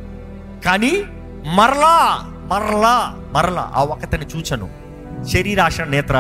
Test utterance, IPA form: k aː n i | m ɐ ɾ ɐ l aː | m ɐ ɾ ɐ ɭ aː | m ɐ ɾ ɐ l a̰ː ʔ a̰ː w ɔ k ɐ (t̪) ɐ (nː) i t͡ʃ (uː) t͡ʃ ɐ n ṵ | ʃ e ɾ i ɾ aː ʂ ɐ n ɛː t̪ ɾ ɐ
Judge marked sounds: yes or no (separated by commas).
yes, no, yes